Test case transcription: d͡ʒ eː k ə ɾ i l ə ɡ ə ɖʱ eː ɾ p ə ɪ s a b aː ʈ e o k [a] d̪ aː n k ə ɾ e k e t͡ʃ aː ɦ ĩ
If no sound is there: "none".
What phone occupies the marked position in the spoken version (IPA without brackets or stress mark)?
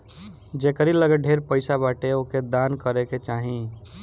e